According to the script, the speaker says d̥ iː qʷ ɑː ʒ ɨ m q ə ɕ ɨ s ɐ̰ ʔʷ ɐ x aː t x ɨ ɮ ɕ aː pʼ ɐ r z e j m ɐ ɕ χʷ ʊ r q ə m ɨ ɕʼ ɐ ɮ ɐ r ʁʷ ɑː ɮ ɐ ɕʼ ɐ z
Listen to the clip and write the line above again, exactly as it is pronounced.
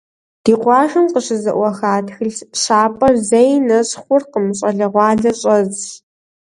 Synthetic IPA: d̥ iː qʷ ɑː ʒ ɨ m q ə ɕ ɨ z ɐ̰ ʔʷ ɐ x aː t x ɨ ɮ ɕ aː pʼ ɐ r z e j n ɐ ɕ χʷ ʊ r q ə m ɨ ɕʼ ɐ ɮ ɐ ʁʷ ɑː ɮ ɐ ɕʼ ɐ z

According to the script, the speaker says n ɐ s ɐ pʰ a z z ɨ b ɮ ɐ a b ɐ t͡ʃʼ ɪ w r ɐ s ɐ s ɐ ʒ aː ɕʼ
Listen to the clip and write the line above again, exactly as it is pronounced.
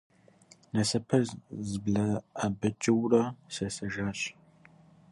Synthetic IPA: n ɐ s ɐ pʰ ɐ z z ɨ b ɮ ɐ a b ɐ t͡ʃʼ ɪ w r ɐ s ɐ s ɐ ʒ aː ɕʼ

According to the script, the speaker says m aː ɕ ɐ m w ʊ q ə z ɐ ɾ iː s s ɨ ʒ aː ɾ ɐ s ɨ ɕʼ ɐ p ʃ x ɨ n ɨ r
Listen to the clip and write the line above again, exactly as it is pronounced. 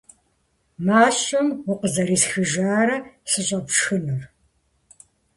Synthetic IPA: m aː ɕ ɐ m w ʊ q ə z ɐ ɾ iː s x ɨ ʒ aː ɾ ɐ s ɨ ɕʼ ɐ p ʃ x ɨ n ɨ r

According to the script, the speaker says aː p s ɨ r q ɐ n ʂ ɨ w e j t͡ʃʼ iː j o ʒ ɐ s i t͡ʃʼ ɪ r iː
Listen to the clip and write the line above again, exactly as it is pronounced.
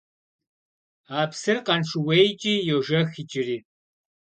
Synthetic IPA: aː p s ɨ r q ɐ n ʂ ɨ w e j t͡ʃʼ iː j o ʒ ɐ x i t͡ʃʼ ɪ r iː

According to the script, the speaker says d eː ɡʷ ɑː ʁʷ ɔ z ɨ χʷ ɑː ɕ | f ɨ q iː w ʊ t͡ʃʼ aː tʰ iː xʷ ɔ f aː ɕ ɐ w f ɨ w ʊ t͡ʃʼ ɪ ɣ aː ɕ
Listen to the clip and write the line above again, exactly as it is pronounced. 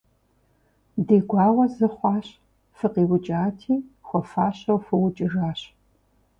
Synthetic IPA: d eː ɡʷ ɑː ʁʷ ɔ z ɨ χʷ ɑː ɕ | f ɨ q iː w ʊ t͡ʃʼ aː tʰ iː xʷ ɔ f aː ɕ ɐ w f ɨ w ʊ t͡ʃʼ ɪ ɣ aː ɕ

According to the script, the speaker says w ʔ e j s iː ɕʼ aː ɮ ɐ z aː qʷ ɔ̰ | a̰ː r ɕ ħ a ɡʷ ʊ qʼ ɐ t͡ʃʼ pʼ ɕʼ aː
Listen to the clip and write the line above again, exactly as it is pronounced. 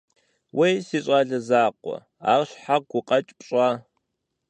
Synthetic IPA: w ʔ e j s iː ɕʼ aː ɮ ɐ z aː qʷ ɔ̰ | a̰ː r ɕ ħ a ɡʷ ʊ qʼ ɐ t͡ʃʼ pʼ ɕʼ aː

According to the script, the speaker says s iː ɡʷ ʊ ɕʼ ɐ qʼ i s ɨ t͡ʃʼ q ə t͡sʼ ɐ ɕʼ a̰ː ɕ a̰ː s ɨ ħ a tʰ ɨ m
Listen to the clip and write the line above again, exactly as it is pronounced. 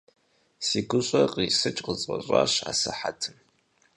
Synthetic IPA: s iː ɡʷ ʊ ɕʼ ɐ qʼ i s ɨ t͡ʃʼ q ə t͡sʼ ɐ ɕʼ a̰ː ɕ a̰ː s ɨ ħ a tʰ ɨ m

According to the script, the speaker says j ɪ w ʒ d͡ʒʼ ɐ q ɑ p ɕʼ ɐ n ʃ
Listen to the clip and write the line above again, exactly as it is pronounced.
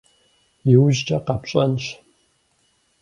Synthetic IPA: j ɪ w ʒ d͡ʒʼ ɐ q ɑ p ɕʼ ɐ n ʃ

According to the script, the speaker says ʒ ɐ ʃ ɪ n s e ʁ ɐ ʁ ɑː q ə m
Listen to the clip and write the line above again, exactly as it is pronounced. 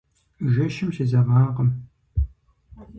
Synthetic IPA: ʒ ɐ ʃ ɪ m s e z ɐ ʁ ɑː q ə m

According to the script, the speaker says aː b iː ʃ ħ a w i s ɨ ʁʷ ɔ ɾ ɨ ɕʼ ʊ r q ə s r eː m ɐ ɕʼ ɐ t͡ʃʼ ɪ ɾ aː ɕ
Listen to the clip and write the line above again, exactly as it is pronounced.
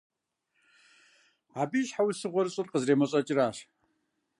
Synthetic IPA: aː b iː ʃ ħ a w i s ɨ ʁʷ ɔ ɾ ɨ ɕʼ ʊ r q ə z r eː m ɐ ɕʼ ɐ t͡ʃʼ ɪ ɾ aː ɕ

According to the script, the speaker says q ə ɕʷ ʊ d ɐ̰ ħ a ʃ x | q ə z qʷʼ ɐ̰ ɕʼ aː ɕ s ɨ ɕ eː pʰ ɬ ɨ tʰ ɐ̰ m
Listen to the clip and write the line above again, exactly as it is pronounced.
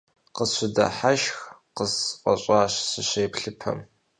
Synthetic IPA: q ə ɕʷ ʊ d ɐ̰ ħ a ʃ x | q ə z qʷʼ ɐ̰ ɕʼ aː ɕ s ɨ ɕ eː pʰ ɬ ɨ pʰ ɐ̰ m

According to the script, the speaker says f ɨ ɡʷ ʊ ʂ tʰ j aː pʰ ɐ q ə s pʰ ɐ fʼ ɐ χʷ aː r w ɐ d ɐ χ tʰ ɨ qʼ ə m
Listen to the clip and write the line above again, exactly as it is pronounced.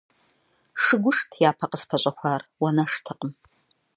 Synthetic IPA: ʂ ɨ ɡʷ ʊ ʂ tʰ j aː pʰ ɐ q ə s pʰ ɐ ɕʼ ɐ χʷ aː r w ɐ n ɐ ʂ tʰ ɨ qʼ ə m

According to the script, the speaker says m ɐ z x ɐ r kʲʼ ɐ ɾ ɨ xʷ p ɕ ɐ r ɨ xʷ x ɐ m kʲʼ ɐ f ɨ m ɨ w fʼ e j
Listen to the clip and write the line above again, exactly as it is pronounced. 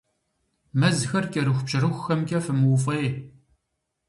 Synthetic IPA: m ɐ z x ɐ r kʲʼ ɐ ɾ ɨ xʷ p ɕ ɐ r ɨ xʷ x ɐ m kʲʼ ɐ f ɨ m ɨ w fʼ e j

